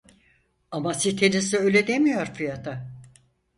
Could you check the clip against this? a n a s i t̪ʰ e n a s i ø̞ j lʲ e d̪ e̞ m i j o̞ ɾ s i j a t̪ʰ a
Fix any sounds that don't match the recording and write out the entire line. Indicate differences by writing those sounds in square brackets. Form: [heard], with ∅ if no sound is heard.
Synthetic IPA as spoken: a [m] a s i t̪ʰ e n [i] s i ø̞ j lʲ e d̪ e̞ m i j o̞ ɾ [f] i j a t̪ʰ a